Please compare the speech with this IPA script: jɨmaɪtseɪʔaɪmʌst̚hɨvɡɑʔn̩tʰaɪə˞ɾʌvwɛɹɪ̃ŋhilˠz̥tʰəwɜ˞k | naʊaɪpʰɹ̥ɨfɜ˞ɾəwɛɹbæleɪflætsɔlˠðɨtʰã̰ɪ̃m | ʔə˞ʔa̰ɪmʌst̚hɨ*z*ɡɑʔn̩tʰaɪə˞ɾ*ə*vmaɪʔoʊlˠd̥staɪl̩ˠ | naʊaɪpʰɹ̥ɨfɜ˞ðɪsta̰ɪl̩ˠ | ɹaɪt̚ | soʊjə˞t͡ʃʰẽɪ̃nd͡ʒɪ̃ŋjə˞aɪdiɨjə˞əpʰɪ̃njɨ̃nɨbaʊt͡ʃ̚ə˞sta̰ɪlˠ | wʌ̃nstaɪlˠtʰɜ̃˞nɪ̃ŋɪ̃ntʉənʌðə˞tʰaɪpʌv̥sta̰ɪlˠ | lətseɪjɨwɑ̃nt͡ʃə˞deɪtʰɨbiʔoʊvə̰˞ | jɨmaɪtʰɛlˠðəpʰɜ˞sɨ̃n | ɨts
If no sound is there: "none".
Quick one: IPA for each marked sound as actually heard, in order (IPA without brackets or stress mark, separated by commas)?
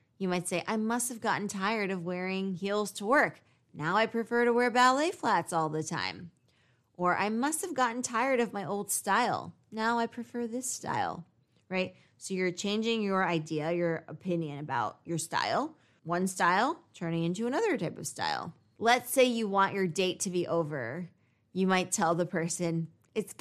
v, ʌ